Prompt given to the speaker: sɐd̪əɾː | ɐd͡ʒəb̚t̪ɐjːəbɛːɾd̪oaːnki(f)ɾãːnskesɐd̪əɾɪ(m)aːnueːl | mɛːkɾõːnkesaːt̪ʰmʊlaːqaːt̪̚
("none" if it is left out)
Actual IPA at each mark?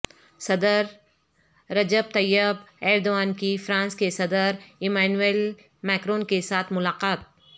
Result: f, m

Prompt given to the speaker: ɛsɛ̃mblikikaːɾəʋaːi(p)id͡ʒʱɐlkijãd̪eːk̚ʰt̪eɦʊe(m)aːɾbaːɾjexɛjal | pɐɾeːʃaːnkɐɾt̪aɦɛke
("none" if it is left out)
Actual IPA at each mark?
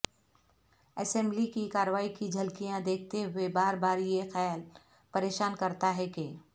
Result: k, b

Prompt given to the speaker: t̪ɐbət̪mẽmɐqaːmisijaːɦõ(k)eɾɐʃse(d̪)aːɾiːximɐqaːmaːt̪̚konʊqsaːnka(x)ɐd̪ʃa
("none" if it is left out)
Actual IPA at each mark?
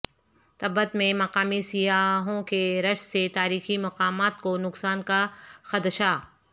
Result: k, t̪, x

